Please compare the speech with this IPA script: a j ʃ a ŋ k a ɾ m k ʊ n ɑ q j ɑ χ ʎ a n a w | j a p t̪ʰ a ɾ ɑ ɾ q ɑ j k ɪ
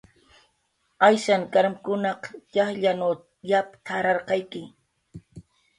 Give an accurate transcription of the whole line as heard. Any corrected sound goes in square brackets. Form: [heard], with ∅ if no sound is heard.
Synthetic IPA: a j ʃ a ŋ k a ɾ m k ʊ n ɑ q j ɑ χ ʎ a n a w | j a p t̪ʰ a ɾ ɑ ɾ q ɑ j k ɪ